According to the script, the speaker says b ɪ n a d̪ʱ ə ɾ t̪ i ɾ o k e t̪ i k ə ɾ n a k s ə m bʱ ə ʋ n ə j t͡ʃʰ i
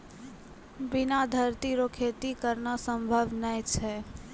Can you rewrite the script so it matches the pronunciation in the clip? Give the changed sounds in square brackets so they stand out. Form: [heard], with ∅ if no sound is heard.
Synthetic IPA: b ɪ n a d̪ʱ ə ɾ t̪ i ɾ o [kʰ] e t̪ i k ə ɾ n a [∅] s ə m bʱ ə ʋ n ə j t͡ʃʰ [ɛ]